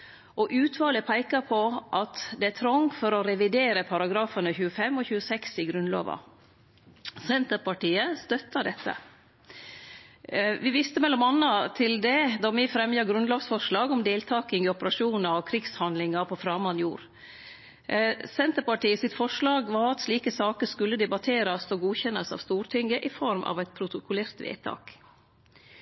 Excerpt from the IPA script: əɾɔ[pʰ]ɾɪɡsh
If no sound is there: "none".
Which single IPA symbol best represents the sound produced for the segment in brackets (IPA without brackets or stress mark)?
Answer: kʰ